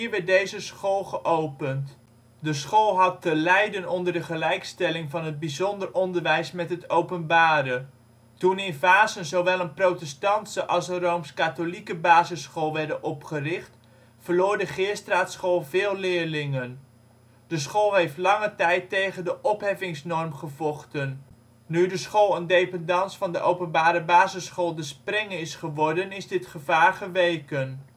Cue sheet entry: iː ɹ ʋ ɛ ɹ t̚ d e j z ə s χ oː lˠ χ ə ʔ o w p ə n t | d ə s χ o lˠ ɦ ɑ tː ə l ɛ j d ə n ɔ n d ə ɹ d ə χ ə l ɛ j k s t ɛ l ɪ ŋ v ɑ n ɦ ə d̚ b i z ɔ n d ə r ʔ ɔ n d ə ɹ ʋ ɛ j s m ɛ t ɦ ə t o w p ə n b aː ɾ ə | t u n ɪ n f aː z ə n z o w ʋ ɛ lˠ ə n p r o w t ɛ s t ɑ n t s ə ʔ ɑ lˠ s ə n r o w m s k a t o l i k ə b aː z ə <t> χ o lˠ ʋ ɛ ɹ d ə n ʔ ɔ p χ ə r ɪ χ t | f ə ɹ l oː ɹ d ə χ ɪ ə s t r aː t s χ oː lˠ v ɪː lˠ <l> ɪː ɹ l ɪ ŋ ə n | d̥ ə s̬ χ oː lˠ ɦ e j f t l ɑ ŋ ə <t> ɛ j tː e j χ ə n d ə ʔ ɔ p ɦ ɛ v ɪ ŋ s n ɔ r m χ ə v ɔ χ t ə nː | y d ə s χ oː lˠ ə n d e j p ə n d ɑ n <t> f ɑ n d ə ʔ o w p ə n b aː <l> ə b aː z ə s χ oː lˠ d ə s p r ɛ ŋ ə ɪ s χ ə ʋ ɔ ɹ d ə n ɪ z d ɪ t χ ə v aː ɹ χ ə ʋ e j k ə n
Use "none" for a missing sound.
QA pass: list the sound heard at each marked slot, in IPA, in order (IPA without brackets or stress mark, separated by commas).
s, l, t, s, ɾ